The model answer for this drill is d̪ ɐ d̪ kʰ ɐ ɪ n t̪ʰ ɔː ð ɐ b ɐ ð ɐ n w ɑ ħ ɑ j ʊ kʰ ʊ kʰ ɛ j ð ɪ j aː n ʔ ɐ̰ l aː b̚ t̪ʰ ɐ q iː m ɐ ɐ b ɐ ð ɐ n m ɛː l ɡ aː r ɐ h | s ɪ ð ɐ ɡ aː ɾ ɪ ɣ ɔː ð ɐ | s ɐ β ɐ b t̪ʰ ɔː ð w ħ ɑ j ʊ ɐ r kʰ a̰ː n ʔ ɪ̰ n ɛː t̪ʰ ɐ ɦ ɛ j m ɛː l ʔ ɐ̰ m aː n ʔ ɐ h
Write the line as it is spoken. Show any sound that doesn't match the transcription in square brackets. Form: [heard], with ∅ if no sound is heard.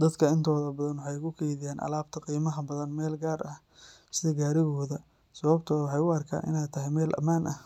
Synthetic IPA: d̪ ɐ d̪ kʰ ɐ ɪ n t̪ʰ ɔː ð ɐ b ɐ ð ɐ n w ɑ ħ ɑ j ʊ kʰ ʊ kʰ ɛ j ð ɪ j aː n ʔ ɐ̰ l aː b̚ t̪ʰ ɐ q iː m ɐ ɐ b ɐ ð ɐ n m ɛː l ɡ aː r ɐ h | s ɪ ð ɐ ɡ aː ɾ ɪ ɣ ɔː ð ɐ | s ɐ β ɐ b t̪ʰ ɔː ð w ħ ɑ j ʊ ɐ r kʰ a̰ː n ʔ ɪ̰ n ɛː t̪ʰ ɐ ɦ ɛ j m ɛː l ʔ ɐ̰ m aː n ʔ ɐ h